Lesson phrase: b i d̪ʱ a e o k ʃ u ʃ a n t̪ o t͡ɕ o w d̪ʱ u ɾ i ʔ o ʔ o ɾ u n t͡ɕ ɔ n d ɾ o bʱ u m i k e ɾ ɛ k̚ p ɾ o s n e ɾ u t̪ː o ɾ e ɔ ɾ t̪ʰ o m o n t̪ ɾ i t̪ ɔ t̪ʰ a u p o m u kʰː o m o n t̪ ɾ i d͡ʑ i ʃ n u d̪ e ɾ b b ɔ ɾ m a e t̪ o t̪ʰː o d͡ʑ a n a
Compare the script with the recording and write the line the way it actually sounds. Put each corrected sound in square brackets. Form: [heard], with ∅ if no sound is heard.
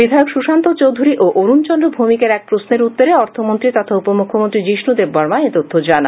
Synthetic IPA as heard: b i d̪ʱ a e o k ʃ u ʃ a n t̪ o t͡ɕ o w d̪ʱ u ɾ i ʔ o ʔ o ɾ u n t͡ɕ ɔ n d ɾ o bʱ u m i k e ɾ ɛ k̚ p ɾ o s n e ɾ u t̪ː o ɾ e ɔ ɾ t̪ʰ o m o n t̪ ɾ i t̪ ɔ t̪ʰ a u p o m u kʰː o m o n t̪ ɾ i d͡ʑ i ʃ n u d̪ e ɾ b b ɔ ɾ m a e t̪ o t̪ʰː o d͡ʑ a n a